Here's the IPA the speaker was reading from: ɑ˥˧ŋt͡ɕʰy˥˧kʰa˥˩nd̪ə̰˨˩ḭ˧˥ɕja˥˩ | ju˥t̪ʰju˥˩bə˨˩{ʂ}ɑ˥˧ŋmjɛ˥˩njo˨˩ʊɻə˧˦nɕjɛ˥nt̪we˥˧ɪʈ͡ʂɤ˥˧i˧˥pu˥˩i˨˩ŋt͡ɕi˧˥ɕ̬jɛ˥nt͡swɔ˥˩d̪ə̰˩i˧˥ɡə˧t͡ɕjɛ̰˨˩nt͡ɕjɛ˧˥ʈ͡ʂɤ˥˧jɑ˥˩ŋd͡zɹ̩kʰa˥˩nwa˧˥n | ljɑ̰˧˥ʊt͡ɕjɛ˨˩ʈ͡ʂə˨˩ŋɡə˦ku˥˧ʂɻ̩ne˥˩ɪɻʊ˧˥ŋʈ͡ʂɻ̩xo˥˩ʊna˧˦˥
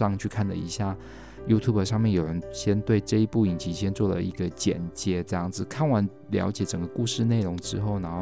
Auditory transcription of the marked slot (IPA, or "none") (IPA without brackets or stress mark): ʂ